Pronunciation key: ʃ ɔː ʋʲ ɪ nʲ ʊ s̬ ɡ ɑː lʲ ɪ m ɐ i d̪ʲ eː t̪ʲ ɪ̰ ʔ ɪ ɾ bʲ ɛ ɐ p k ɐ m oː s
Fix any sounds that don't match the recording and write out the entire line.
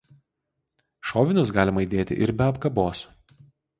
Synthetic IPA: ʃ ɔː ʋʲ ɪ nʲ ʊ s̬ ɡ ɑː lʲ ɪ m ɐ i d̪ʲ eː t̪ʲ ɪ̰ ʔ ɪ ɾ bʲ ɛ ɐ p k ɐ b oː s